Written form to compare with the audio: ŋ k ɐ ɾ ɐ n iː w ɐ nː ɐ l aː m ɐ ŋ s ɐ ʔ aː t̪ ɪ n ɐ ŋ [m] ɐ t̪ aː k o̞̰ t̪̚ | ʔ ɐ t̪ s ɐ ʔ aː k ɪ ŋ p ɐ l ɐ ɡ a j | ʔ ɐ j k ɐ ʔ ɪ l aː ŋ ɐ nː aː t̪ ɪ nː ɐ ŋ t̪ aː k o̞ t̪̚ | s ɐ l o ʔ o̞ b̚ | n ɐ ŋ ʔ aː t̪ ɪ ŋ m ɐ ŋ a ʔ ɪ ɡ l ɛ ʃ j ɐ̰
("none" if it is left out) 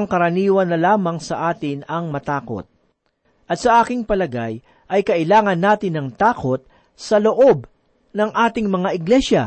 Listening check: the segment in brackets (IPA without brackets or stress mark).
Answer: m